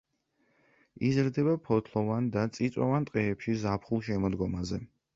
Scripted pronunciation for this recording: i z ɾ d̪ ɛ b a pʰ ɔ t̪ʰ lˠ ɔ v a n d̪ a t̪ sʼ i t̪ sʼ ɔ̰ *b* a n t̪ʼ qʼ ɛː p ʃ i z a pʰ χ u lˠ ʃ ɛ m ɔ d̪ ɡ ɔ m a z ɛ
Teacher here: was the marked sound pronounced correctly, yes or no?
no